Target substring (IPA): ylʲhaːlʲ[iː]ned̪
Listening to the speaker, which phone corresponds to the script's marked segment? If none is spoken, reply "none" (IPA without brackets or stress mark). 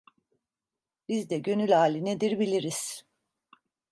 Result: i